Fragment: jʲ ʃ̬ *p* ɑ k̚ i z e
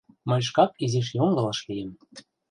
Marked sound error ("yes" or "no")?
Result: yes